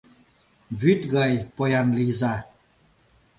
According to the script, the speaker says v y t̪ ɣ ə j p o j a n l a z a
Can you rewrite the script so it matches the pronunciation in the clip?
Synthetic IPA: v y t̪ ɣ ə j p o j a n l i z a